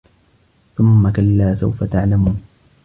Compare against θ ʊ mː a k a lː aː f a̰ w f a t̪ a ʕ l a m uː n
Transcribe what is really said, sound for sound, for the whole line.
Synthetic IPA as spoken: θ ʊ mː a k a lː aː s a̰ w f a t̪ a ʕ l a m uː n